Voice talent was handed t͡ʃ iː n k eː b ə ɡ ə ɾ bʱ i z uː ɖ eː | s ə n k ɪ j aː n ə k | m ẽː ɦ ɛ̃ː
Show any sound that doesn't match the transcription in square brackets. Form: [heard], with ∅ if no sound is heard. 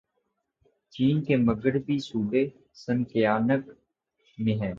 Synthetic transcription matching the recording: t͡ʃ iː n k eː [m] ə ɡ ə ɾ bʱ i [s] uː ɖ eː | s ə n k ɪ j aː n ə k | m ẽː ɦ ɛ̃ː